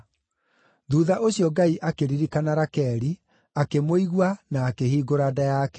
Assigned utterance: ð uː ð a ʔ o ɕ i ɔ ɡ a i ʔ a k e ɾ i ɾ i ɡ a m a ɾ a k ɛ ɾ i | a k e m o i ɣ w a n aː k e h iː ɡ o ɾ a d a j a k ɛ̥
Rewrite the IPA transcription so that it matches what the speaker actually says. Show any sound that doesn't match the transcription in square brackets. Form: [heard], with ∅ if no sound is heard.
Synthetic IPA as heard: ð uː ð a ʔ o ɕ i ɔ ɡ a i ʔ a k e ɾ i ɾ i [k] a [n] a ɾ a k ɛ ɾ i | a k e m o i ɣ w a n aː k e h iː ɡ o ɾ a d a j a k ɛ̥